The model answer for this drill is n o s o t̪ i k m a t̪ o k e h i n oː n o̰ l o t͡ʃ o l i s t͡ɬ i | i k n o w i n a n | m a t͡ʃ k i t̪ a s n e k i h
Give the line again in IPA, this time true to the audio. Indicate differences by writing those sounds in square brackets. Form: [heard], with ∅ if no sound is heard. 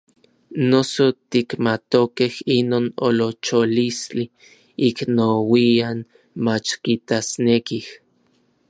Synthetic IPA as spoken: n o s o t̪ i k m a t̪ o k e h i n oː n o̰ l o t͡ʃ o l i s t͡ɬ i | i k n o w i [∅] a n | m a t͡ʃ k i t̪ a s n e k i h